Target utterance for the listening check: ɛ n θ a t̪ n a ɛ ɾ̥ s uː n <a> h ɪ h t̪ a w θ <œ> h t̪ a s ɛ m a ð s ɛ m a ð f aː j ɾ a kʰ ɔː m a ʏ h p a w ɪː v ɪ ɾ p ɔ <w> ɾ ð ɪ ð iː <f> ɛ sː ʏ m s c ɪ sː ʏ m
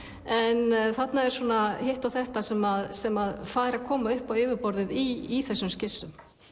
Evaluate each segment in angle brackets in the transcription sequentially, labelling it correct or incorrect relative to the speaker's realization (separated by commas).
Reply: correct, incorrect, incorrect, incorrect